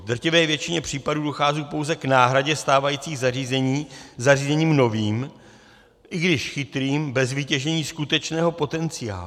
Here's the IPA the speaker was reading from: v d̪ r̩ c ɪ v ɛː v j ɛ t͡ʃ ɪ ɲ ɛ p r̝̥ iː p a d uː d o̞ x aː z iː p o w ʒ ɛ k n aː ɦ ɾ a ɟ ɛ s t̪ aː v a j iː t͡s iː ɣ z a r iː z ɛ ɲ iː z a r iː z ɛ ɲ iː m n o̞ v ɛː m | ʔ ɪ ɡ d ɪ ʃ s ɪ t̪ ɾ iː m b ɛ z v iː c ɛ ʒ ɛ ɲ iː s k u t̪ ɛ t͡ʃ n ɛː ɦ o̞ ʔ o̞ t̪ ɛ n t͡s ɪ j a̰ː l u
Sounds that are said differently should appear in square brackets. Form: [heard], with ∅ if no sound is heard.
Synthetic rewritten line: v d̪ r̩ c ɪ v ɛː v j ɛ t͡ʃ ɪ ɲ ɛ p r̝̥ iː p a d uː d o̞ x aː z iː p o w [z] ɛ k n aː ɦ ɾ a ɟ ɛ s t̪ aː v a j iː t͡s iː ɣ z a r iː z ɛ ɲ iː z a r iː z ɛ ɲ iː m n o̞ v [iː] m | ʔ ɪ ɡ d ɪ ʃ [x] ɪ t̪ ɾ iː m b ɛ z v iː c ɛ ʒ ɛ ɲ iː s k u t̪ ɛ t͡ʃ n ɛː ɦ o̞ [p] o̞ t̪ ɛ n t͡s ɪ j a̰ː l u